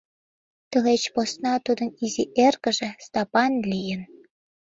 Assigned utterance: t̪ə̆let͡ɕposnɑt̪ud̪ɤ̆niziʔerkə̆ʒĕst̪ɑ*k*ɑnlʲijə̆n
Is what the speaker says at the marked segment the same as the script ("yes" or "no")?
no